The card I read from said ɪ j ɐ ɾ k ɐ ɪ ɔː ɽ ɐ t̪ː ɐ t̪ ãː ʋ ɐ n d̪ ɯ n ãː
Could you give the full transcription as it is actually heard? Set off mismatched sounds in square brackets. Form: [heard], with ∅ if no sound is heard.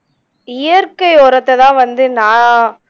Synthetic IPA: ɪ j ɐ ɾ k ɐ ɪ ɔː [ɾ] ɐ t̪ː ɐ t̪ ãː ʋ ɐ n d̪ ɯ n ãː